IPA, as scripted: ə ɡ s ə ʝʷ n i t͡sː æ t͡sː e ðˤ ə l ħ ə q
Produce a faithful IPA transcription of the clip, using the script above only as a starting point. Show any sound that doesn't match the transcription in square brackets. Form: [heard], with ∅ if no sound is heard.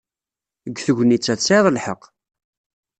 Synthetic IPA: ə ɡ [θ] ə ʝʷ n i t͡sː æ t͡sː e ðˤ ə l ħ ə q